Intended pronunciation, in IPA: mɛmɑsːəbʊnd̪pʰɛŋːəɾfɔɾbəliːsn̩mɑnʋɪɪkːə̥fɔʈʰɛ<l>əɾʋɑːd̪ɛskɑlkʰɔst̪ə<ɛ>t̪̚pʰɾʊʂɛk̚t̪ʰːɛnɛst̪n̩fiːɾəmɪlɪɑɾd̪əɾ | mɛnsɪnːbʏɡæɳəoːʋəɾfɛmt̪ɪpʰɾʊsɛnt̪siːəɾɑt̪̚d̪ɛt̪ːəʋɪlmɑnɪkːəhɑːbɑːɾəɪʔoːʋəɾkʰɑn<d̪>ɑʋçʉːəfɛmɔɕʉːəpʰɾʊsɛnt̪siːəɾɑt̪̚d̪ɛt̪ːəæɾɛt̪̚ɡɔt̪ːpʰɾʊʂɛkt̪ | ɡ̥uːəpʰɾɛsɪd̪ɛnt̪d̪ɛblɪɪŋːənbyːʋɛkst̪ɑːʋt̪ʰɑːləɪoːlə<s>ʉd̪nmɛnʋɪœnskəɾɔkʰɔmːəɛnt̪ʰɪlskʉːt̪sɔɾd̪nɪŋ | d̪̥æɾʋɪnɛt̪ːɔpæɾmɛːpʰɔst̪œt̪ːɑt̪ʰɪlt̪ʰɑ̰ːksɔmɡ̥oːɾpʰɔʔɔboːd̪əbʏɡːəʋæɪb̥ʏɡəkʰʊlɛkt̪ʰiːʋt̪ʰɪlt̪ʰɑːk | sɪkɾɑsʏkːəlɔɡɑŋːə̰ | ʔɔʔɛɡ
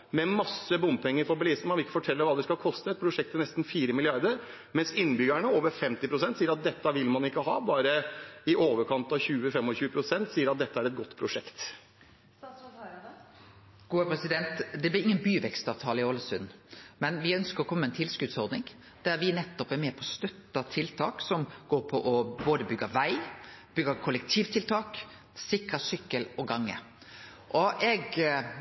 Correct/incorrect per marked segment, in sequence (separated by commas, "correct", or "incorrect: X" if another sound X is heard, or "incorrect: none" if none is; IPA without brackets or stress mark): incorrect: lː, correct, incorrect: t̪, correct